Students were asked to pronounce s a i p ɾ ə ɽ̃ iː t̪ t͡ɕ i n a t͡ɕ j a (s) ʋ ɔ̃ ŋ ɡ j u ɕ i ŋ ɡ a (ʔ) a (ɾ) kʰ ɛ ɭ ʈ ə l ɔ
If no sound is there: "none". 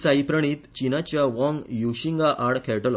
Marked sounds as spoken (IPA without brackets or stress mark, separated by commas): none, ʔ, ɽ